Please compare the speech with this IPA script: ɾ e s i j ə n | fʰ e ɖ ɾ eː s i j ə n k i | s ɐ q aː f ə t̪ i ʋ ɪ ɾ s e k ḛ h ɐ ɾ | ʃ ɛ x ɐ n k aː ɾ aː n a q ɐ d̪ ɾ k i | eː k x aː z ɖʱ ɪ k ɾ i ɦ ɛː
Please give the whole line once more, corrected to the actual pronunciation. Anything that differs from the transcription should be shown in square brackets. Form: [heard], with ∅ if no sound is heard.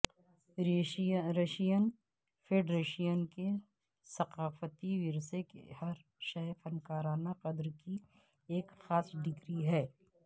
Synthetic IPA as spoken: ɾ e [ʃ] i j ə n | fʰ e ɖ ɾ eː [ʃ] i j ə n k [e] | s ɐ q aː f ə t̪ i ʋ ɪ ɾ s e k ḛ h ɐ ɾ | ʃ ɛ [f] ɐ n k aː ɾ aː n a q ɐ d̪ ɾ k i | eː k x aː [s] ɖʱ ɪ k ɾ i ɦ ɛː